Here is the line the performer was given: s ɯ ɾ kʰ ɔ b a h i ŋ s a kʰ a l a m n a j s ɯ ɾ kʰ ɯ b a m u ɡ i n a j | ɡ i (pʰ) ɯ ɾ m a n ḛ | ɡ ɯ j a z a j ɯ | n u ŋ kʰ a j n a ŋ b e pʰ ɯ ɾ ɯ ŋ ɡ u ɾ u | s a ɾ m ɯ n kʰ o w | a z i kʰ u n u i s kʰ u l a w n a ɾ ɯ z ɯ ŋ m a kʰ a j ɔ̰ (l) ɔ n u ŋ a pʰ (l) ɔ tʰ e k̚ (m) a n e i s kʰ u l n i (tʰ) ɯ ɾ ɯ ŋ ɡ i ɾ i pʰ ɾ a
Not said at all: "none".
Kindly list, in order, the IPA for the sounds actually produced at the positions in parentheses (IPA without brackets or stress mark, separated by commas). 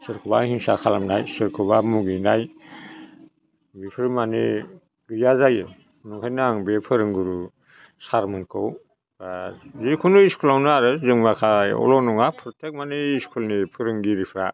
pʰ, l, ɾ, m, pʰ